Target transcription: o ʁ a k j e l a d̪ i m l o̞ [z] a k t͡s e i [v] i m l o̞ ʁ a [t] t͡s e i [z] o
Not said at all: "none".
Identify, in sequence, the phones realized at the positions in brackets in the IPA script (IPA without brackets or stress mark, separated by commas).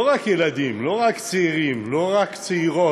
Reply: ʁ, ʁ, k, ʁ